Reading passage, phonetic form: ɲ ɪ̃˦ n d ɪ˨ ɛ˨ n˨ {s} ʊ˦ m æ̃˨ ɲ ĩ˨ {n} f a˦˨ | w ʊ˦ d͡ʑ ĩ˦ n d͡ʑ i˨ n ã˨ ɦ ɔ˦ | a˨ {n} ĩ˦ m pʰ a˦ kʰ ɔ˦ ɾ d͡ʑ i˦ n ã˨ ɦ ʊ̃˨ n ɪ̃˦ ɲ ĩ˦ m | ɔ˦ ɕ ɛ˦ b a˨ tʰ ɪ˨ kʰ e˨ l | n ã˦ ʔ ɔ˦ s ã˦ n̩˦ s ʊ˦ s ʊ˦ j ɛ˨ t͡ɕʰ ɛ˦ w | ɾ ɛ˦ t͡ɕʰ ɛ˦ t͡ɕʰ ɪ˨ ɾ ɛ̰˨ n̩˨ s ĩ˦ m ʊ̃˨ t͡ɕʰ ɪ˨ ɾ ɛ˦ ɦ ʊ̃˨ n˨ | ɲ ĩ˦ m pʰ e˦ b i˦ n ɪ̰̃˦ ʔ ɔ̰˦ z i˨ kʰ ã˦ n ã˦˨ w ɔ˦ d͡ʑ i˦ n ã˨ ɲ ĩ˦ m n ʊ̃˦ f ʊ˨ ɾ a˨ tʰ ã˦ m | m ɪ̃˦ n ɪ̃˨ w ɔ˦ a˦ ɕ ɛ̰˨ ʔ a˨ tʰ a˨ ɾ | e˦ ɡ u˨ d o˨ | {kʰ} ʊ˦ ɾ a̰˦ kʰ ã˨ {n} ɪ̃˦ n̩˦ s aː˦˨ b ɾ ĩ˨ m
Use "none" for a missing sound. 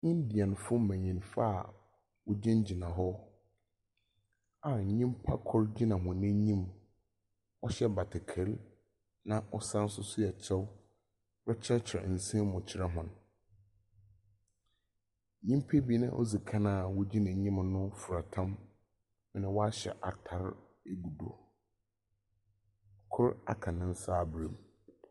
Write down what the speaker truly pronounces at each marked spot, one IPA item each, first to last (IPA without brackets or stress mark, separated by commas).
f, n, ɲ, kʰ, n